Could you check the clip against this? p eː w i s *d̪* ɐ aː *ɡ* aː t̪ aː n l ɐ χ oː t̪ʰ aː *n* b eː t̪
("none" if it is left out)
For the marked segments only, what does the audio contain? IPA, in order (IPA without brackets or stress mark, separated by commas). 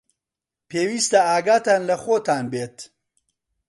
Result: t̪, ɡ, n